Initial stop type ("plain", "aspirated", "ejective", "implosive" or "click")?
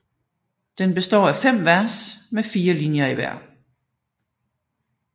plain